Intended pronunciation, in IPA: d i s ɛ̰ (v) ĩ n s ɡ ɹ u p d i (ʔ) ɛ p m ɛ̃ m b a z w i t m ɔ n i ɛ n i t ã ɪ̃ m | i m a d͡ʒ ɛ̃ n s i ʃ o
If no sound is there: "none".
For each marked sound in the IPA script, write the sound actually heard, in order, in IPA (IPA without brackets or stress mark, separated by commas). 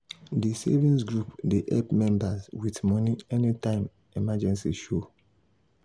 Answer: v, ʔ